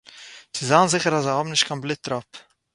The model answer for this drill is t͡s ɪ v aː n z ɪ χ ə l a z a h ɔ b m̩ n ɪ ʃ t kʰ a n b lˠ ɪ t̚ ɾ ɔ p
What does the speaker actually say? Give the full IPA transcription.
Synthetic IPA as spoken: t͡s ɪ z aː n z ɪ χ ə ɾ a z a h ɔ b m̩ n ɪ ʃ t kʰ a n b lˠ ɪ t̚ ɾ ɔ p